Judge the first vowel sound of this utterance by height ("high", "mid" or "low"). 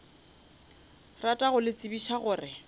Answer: low